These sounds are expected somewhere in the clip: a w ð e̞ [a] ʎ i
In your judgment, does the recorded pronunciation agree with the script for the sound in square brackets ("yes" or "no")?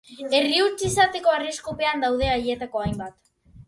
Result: yes